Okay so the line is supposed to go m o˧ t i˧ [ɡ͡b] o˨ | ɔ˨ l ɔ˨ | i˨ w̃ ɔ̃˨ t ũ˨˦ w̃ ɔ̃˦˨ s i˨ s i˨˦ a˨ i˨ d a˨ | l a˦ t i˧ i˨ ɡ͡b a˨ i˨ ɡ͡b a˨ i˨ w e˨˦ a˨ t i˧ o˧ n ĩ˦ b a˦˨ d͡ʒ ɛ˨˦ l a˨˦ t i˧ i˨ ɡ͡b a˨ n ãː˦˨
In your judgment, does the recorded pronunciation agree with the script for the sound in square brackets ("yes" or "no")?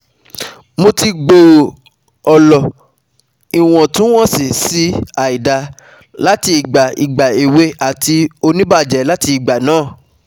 yes